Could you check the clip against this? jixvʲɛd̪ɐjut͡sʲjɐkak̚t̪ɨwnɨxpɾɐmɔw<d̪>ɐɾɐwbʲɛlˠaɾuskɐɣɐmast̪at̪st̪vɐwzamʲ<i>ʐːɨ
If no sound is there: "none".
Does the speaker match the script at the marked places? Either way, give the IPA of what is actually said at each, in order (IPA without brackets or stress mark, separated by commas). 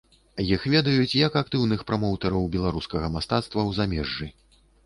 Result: t̪, ɛ